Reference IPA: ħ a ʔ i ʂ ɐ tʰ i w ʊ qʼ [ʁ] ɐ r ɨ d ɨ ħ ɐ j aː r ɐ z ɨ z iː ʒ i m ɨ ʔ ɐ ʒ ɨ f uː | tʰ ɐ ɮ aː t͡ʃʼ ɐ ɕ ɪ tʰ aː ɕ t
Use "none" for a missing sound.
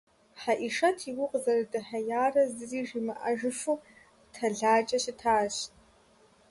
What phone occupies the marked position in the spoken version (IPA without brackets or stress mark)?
z